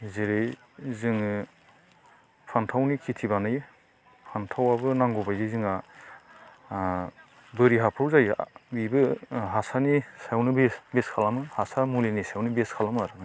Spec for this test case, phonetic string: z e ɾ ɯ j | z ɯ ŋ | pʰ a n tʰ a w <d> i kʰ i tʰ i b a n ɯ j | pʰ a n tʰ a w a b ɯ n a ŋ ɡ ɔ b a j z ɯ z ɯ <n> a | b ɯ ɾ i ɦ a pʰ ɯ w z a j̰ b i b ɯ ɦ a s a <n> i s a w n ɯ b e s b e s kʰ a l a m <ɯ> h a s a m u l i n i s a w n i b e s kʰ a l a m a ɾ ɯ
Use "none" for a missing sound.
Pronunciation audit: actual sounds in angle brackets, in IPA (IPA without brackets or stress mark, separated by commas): n, ŋ, n, ɯ